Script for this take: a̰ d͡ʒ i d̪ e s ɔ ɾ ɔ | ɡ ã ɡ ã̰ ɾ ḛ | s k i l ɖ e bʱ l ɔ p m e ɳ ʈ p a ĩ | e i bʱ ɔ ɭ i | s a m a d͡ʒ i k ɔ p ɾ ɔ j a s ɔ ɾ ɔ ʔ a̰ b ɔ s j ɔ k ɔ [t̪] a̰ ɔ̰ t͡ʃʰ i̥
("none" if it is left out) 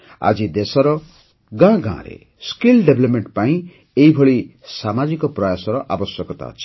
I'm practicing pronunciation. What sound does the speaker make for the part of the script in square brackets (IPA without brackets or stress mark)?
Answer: t̪